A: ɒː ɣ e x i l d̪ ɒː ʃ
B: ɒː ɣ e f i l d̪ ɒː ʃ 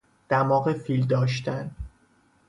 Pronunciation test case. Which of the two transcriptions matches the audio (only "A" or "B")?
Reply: B